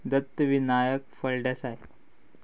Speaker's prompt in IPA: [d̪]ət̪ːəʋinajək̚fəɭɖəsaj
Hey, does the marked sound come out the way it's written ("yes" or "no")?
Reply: yes